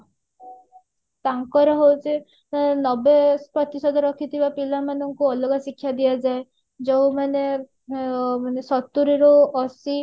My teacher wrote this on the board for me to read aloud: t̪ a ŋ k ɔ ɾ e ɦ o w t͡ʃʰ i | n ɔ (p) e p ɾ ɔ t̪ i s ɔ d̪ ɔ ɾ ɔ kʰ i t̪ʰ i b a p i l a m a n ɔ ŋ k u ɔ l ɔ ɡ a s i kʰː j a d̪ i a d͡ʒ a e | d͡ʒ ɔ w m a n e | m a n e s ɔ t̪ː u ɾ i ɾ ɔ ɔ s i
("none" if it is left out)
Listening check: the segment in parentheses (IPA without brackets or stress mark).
b